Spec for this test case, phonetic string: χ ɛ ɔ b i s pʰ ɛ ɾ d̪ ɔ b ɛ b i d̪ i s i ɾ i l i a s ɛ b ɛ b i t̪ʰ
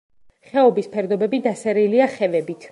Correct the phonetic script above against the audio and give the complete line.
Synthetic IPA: χ ɛ ɔ b i s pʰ ɛ ɾ d̪ ɔ b ɛ b i d̪ a s ɛ ɾ i l i a χ ɛ v ɛ b i t̪ʰ